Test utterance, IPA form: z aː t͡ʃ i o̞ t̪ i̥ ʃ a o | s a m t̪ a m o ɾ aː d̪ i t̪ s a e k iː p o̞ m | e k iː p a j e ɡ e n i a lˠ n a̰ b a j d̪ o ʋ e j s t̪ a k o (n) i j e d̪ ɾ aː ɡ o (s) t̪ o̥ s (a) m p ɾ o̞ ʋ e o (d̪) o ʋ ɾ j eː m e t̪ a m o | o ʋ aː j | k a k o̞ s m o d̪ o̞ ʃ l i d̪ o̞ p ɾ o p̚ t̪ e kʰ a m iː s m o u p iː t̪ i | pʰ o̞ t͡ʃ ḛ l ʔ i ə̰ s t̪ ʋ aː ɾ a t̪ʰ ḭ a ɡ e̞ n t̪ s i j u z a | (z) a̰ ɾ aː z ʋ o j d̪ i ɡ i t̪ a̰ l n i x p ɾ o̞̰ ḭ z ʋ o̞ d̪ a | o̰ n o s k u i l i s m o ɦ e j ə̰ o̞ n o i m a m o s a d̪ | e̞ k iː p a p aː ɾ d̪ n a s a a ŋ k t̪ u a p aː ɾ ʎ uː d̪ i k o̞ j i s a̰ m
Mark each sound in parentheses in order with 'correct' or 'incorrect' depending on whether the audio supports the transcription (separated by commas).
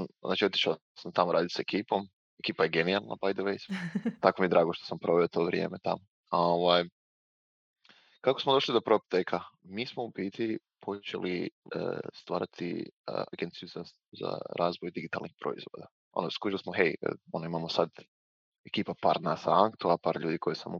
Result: incorrect, incorrect, correct, incorrect, correct